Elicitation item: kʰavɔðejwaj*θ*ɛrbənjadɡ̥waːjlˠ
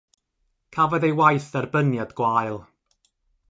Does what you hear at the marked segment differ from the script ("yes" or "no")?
no